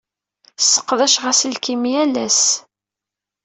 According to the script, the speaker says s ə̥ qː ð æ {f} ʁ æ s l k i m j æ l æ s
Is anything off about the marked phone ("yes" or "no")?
yes